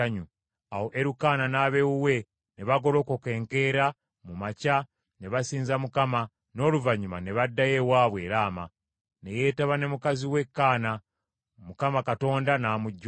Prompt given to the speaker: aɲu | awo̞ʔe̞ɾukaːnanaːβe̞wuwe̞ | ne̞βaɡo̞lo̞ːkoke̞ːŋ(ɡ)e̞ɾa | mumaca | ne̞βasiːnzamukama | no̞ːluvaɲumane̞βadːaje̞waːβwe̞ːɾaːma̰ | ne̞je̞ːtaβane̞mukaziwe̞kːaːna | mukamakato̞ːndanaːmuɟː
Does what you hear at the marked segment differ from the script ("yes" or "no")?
yes